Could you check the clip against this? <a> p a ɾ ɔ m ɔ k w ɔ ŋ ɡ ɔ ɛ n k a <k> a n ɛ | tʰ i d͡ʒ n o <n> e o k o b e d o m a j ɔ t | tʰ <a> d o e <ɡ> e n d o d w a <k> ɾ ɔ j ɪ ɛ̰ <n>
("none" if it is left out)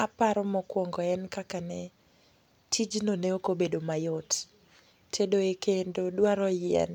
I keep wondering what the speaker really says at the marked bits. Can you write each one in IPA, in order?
a, k, n, e, k, none, n

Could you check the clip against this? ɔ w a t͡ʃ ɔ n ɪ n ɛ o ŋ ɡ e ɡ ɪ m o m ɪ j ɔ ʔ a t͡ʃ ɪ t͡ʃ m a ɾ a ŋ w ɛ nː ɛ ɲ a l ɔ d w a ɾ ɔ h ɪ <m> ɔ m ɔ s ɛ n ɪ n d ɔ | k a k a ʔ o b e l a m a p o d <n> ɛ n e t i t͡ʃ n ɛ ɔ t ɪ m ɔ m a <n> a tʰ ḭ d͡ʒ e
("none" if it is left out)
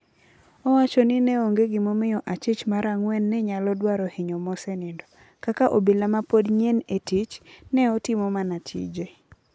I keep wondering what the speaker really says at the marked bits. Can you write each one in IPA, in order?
ɲ, ɲ, n

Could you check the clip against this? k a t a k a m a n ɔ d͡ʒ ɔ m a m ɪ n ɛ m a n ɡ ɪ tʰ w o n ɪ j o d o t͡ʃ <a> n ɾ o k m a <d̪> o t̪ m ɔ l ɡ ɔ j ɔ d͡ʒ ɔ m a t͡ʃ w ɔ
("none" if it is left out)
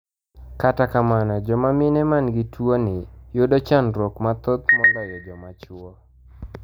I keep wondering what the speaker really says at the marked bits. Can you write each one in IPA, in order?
a, t̪

